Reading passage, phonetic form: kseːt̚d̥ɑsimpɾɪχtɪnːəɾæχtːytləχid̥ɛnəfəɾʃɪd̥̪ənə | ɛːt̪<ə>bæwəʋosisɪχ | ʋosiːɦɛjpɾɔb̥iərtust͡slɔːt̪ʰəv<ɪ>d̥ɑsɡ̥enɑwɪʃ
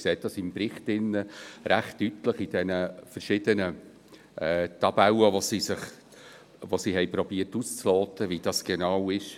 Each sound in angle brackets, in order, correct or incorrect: incorrect: ɑ, incorrect: i

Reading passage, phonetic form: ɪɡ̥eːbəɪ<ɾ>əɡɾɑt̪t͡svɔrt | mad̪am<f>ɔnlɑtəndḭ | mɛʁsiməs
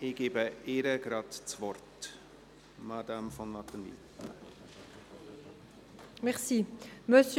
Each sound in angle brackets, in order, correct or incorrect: correct, correct

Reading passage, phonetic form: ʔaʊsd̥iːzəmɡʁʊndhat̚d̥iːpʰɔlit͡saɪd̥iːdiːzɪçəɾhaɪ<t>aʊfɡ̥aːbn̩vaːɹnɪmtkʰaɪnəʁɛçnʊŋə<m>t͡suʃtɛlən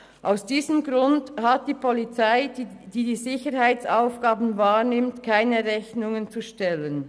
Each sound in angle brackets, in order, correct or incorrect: incorrect: t͡s, incorrect: n

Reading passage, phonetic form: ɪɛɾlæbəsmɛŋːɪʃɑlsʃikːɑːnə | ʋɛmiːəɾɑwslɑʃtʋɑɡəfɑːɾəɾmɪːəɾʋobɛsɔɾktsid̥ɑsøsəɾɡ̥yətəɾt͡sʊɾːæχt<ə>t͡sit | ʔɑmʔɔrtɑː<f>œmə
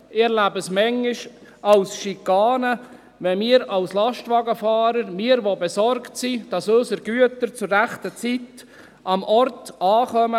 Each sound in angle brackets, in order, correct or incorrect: correct, incorrect: χ

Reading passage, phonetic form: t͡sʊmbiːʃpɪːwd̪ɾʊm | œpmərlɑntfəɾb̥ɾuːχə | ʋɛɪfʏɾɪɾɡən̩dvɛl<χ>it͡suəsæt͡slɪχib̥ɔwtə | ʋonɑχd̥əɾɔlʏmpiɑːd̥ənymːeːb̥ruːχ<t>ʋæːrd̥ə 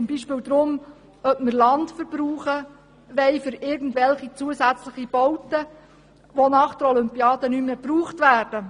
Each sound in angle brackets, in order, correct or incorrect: correct, correct

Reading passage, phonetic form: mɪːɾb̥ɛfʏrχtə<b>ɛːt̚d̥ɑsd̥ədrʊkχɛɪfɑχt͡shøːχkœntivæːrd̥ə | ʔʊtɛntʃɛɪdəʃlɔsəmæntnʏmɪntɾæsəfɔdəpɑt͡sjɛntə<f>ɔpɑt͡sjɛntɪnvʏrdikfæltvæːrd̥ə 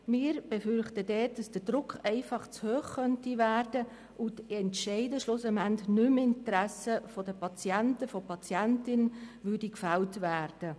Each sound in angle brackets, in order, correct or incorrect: incorrect: d, correct

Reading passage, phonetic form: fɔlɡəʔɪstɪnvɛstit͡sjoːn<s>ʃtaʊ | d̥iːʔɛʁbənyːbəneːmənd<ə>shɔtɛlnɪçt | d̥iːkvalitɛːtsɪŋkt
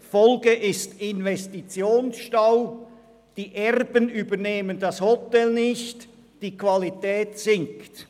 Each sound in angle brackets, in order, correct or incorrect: correct, incorrect: ɑ

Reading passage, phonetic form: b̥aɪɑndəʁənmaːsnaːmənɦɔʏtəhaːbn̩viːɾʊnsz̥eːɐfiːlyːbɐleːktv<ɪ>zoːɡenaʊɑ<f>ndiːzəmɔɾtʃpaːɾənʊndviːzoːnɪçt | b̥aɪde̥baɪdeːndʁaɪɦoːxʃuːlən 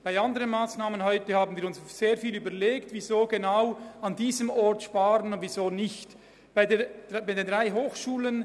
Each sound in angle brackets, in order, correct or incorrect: incorrect: i, incorrect: none

